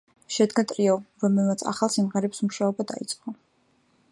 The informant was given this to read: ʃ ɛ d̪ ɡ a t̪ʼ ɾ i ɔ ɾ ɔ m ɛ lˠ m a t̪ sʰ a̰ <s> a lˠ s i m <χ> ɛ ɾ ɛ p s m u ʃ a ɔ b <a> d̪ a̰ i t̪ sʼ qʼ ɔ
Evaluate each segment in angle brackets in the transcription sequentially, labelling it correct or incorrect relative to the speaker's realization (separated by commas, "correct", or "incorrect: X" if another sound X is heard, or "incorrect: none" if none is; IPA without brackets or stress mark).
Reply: incorrect: χ, incorrect: ʁ, correct